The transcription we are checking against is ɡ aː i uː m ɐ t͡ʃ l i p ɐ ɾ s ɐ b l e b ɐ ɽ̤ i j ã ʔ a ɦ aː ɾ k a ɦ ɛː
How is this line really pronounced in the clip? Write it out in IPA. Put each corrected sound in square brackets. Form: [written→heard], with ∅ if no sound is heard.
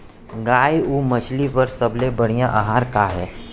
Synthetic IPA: ɡ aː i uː m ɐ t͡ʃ l i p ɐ ɾ s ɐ b l e b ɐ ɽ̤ i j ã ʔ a ɦ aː ɾ k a ɦ ɛː